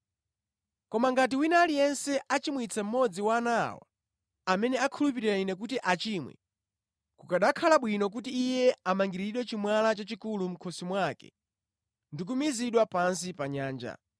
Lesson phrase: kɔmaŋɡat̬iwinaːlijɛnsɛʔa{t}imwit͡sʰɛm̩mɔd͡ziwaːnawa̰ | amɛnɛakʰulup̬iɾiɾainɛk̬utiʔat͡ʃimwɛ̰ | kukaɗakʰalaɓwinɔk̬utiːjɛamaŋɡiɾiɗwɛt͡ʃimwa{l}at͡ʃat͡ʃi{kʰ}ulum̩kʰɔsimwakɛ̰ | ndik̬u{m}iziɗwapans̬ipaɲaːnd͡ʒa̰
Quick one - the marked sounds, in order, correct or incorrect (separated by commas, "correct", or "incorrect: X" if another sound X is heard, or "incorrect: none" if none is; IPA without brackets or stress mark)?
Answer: incorrect: t͡ʃ, correct, incorrect: k, correct